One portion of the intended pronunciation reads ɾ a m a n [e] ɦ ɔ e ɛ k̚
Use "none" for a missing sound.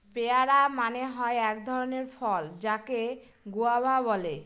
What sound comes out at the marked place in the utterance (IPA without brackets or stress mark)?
e